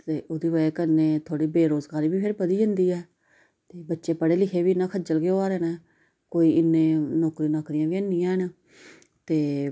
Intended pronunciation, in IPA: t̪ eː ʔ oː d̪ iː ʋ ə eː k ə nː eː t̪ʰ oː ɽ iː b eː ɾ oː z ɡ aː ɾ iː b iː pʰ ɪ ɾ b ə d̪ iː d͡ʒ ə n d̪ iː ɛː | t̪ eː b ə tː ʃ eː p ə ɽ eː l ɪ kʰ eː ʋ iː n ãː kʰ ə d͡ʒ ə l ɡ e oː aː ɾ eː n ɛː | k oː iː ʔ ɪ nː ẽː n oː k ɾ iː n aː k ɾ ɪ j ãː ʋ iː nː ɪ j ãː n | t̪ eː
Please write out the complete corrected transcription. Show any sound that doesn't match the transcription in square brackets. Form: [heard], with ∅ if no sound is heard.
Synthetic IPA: t̪ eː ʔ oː d̪ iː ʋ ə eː k ə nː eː t̪ʰ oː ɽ iː b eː ɾ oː z ɡ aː ɾ iː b iː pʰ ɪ ɾ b ə d̪ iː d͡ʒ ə n d̪ iː ɛː | t̪ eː b ə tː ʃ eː p ə ɽ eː l ɪ kʰ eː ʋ iː n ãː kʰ ə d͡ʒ ə l ɡ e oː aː ɾ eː n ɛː | k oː iː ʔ ɪ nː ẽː n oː k ɾ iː n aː k ɾ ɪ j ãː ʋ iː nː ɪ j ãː n | t̪ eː